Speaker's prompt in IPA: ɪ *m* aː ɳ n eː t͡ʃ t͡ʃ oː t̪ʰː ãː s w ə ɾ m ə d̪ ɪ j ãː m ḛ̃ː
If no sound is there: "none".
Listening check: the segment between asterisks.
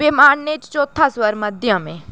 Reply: m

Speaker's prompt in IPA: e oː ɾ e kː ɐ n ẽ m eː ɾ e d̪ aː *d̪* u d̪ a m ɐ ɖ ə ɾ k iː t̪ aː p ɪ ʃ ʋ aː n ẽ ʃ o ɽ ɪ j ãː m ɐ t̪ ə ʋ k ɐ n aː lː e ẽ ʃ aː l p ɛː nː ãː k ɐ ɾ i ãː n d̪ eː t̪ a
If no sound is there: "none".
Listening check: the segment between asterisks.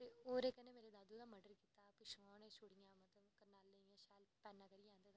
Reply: d̪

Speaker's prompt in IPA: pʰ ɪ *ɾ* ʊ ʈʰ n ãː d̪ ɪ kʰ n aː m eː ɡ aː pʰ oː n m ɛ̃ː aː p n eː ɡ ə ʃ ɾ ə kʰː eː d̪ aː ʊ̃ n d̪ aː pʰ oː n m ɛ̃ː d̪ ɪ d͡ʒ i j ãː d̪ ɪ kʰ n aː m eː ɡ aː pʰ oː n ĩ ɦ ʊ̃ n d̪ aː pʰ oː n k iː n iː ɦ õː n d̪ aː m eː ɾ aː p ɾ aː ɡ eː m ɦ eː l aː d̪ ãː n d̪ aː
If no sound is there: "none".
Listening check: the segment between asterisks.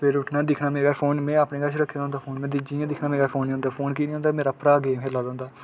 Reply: ɾ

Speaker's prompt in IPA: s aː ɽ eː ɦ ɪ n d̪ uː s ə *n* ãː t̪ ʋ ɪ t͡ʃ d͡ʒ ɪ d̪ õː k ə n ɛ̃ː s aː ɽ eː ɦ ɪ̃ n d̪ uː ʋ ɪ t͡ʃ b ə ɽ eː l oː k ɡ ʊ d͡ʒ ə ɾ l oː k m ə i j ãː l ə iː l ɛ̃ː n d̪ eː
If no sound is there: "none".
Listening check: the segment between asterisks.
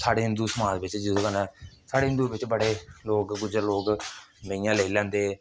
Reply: m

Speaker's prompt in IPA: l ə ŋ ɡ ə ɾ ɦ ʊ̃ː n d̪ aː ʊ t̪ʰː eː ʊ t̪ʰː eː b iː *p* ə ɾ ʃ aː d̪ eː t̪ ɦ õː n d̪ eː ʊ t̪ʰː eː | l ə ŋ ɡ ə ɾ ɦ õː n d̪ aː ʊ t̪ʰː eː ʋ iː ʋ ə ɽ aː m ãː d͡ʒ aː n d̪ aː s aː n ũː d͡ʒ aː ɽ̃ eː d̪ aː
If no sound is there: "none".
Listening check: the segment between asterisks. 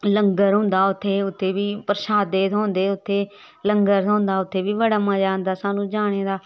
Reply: p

